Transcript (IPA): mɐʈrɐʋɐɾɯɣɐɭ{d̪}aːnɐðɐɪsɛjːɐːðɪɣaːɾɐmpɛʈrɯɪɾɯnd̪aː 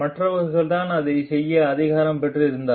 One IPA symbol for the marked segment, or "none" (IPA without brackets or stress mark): t̪